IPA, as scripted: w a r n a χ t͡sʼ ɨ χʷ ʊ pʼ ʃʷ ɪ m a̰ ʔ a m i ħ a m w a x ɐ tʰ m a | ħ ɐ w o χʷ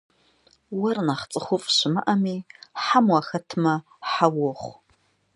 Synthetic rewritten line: w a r n a χ t͡sʼ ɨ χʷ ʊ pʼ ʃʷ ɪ m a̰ ʔ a m i ħ a m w a x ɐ tʰ m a | ħ a w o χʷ